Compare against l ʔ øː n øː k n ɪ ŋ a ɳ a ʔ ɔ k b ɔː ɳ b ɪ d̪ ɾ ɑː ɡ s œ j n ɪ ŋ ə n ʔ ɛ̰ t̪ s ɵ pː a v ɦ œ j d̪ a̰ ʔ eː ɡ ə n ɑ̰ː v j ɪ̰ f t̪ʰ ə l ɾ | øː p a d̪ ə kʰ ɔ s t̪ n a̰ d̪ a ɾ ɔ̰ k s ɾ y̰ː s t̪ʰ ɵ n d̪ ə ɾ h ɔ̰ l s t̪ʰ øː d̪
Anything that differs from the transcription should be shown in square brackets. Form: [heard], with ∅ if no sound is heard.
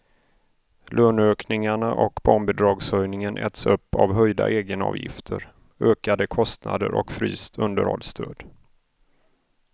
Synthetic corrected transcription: l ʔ øː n øː k n ɪ ŋ a ɳ a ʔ ɔ k b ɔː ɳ b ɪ d̪ ɾ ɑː ɡ s œ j n ɪ ŋ ə n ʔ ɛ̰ t̪ s ɵ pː a v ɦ œ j d̪ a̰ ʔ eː ɡ ə n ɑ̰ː v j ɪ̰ f t̪ʰ ə [∅] ɾ | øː [k] a d̪ ə kʰ ɔ s t̪ n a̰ d̪ [ə] ɾ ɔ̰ k [f] ɾ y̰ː s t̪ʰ ɵ n d̪ ə ɾ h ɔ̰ l s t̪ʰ øː d̪